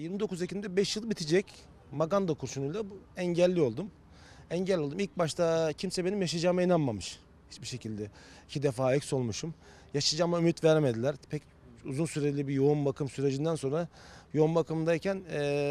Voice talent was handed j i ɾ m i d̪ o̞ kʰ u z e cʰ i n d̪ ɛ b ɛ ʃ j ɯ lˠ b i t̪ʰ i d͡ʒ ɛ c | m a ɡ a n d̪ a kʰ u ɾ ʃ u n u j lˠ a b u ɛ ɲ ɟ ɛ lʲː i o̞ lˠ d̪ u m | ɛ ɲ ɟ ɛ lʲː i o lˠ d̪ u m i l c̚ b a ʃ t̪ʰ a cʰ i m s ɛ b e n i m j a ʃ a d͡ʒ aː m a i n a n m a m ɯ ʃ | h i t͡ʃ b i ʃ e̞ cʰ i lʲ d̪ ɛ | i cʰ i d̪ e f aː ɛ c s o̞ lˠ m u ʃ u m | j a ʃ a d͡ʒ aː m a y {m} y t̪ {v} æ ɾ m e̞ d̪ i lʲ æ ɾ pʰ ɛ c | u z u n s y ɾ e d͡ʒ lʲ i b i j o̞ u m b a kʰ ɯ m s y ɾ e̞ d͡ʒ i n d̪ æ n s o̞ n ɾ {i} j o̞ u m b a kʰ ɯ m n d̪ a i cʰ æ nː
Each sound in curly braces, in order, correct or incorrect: correct, correct, incorrect

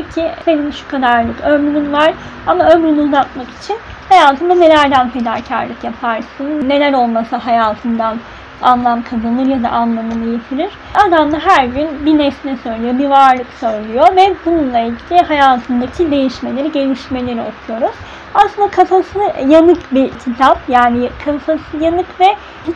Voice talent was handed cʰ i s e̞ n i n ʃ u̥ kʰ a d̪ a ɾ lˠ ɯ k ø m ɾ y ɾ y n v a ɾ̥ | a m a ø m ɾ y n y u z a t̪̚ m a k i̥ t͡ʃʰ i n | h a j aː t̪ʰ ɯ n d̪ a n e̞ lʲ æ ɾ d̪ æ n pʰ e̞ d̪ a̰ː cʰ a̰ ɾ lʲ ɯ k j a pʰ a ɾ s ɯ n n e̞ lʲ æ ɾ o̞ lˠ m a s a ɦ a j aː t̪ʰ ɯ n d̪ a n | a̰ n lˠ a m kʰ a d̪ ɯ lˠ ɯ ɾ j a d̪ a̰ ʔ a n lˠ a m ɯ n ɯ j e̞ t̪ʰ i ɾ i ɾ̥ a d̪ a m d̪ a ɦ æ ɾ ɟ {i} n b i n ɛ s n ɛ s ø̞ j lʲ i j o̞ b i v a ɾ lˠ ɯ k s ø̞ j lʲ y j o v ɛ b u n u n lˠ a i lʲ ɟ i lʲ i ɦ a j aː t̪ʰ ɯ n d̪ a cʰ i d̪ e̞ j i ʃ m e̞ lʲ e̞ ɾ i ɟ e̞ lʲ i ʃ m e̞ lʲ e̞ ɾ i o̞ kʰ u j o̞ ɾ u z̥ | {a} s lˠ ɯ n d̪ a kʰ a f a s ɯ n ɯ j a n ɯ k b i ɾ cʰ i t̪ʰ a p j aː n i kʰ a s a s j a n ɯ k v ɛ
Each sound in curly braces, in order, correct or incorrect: incorrect, correct

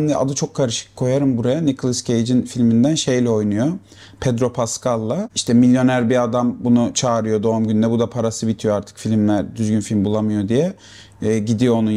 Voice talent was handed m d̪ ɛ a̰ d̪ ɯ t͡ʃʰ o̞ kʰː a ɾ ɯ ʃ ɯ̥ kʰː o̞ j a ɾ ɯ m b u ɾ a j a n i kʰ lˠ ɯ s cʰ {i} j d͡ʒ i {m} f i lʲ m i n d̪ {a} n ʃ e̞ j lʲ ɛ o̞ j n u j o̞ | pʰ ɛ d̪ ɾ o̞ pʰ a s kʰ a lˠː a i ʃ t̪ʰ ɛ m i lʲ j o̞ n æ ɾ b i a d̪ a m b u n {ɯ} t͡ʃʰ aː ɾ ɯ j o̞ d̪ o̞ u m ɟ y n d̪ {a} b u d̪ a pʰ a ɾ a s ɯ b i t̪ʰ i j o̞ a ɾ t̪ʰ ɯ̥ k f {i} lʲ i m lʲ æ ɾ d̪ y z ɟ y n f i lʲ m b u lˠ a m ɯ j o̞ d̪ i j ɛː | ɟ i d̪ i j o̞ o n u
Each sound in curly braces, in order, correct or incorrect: incorrect, incorrect, incorrect, incorrect, incorrect, correct

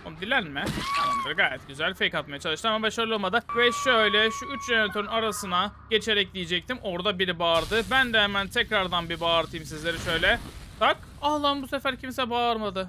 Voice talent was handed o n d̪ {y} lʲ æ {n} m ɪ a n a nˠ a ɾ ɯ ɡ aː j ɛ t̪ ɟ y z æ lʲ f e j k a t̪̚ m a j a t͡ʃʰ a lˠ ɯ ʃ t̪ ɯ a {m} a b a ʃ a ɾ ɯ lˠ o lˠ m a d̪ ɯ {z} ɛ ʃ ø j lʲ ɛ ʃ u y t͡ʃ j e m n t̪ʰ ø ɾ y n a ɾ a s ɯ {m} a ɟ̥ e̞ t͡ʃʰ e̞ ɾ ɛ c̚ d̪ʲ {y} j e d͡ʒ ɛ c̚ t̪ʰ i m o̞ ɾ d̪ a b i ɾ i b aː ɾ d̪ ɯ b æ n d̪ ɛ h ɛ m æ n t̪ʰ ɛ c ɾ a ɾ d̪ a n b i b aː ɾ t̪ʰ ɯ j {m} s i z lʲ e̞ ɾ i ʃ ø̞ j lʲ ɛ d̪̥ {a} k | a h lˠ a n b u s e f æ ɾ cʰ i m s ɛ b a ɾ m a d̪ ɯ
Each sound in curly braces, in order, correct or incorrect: incorrect, correct, correct, incorrect, incorrect, incorrect, correct, correct

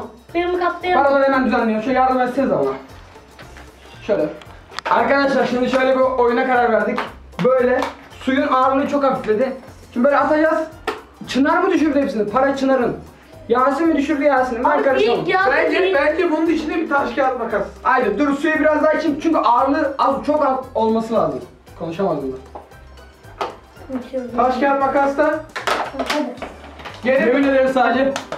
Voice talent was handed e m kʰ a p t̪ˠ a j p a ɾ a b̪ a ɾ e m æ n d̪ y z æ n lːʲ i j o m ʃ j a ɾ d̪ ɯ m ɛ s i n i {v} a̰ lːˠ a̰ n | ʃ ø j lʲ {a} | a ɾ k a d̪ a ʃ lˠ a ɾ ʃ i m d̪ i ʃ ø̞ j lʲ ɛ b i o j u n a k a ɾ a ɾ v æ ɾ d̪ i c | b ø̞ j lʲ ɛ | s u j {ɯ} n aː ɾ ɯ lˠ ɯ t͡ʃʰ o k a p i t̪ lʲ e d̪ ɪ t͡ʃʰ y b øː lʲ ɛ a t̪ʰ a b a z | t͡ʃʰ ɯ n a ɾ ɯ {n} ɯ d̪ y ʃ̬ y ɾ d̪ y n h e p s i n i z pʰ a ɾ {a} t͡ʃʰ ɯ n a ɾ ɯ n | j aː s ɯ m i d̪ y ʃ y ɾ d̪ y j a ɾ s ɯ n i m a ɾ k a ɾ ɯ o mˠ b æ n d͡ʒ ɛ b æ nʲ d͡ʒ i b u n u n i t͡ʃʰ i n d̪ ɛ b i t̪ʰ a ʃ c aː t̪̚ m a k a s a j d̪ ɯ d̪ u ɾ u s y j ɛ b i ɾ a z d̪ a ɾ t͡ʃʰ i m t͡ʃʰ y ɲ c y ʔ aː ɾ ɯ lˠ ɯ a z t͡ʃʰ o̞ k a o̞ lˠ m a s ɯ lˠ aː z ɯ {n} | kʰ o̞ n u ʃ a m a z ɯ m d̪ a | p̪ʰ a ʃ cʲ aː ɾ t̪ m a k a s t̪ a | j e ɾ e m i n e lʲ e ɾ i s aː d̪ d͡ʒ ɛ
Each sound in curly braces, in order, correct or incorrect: incorrect, incorrect, incorrect, incorrect, correct, incorrect

